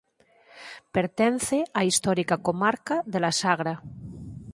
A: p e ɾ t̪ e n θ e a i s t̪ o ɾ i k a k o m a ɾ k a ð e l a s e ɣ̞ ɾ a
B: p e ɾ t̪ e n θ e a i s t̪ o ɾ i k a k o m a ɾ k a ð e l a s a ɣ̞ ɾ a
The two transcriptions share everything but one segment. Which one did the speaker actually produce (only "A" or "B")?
B